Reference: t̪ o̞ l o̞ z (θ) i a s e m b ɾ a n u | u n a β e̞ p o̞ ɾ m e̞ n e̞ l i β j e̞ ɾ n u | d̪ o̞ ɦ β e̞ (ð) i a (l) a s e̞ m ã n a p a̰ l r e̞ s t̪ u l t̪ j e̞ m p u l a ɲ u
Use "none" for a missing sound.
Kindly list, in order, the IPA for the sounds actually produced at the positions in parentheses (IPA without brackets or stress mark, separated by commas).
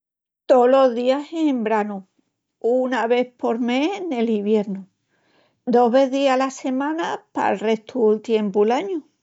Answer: ð, ð, l